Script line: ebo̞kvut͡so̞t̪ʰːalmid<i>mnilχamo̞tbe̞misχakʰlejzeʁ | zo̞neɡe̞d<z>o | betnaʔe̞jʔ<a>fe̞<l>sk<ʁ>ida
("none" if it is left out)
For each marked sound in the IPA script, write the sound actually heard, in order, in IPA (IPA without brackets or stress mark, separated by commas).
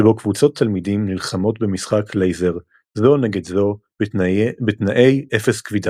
i, z, e, none, v